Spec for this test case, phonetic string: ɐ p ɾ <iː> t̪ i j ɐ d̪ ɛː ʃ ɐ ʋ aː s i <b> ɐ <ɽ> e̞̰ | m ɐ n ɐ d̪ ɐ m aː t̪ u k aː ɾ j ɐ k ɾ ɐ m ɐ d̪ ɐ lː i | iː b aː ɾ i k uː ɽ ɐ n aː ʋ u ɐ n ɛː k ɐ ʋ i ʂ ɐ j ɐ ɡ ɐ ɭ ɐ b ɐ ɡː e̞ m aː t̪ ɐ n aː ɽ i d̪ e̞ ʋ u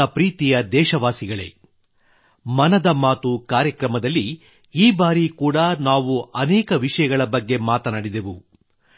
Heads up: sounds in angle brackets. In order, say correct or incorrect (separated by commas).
correct, incorrect, incorrect